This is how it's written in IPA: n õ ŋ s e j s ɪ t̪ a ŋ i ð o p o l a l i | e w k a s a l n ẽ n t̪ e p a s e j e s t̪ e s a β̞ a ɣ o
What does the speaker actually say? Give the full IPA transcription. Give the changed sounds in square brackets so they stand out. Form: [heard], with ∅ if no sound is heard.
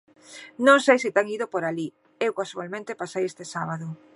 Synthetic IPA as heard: n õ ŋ s e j s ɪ t̪ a ŋ i ð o p o [ɾ] a l i | e w k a s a l [m] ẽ n t̪ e p a s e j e s t̪ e s a β̞ a [ð] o